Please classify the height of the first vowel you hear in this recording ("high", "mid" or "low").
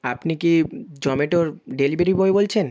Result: low